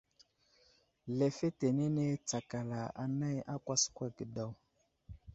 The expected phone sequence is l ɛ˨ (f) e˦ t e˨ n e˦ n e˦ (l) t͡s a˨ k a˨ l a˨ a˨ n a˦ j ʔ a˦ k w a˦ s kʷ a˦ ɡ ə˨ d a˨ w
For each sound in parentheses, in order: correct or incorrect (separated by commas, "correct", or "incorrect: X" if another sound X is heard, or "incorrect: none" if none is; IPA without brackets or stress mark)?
correct, incorrect: none